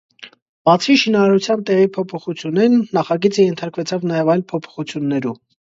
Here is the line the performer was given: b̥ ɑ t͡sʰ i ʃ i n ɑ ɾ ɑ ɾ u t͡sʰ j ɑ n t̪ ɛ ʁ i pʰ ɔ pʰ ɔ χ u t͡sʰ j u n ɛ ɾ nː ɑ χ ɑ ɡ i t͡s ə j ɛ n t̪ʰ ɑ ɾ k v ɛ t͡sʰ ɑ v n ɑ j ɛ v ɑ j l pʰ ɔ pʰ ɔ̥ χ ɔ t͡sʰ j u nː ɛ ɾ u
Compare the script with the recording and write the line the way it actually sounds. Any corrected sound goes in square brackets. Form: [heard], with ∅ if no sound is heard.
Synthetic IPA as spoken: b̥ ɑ t͡sʰ i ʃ i n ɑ ɾ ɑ ɾ u t͡sʰ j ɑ n t̪ ɛ ʁ i pʰ ɔ pʰ ɔ χ u t͡sʰ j u n ɛ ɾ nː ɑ χ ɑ ɡ i t͡s ə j ɛ n t̪ʰ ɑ ɾ k v ɛ t͡sʰ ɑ v n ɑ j ɛ v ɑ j l pʰ ɔ pʰ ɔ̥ χ [u] t͡sʰ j u nː ɛ ɾ u